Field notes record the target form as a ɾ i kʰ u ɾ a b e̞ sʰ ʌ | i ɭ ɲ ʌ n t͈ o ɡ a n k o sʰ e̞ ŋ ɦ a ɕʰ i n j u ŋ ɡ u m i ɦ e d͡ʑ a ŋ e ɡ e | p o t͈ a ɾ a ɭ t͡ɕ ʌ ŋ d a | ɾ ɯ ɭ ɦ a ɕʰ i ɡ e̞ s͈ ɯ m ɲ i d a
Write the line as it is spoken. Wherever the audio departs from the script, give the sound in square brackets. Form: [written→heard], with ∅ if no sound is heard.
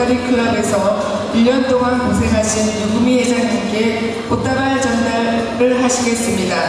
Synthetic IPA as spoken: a ɾ i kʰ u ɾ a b e̞ sʰ ʌ | i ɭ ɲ ʌ n t͈ o [ɡ→ŋ] a n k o sʰ e̞ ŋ ɦ a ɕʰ i n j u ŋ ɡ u m i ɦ e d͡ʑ a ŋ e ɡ e | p o t͈ a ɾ a ɭ t͡ɕ ʌ [ŋ→n] d a | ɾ ɯ ɭ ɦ a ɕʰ i ɡ e̞ s͈ ɯ m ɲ i d a